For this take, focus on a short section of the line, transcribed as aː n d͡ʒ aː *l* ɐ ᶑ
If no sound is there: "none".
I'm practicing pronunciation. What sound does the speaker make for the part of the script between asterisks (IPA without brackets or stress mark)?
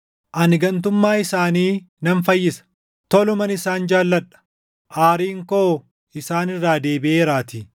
lː